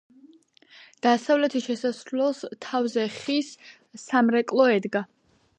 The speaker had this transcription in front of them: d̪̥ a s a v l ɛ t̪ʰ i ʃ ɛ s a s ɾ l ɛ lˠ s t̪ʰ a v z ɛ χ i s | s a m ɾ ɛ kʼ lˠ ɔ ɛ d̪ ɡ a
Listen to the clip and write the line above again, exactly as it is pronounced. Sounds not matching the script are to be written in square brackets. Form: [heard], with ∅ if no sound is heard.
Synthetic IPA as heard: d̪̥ a s a v l ɛ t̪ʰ i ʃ ɛ s a s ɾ l ɛ lˠ s t̪ʰ a v z ɛ χ i s | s a m ɾ ɛ kʼ lˠ ɔ ɛ d̪ ɡ a